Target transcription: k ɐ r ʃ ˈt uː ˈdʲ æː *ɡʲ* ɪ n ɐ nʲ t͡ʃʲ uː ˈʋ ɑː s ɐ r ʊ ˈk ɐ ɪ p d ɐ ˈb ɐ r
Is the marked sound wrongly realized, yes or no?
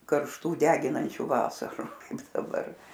no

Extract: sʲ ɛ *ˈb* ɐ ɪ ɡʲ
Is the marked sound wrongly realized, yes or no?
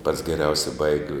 no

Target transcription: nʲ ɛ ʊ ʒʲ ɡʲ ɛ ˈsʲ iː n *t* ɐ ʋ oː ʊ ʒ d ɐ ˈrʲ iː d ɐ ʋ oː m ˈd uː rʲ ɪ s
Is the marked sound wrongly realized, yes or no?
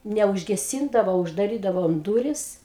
yes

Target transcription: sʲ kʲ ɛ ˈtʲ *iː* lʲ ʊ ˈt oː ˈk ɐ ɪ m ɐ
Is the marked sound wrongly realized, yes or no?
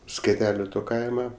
yes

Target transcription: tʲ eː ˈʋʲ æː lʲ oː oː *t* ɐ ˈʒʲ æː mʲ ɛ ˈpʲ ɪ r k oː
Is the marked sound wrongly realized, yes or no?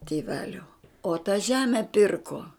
no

